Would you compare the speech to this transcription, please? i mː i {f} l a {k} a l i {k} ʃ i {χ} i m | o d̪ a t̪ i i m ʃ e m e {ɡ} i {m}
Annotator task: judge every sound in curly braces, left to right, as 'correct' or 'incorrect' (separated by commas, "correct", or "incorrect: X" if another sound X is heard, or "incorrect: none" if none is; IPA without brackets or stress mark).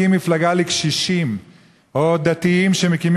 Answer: correct, incorrect: ɡ, correct, incorrect: ʃ, incorrect: k, correct